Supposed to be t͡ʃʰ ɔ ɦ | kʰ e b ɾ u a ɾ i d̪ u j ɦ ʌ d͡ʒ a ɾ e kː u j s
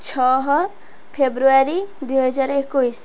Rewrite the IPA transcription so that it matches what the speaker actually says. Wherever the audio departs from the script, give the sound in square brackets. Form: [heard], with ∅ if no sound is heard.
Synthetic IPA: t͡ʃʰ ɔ ɦ | [pʰ] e b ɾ u a ɾ i d̪ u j ɦ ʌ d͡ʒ a ɾ e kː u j s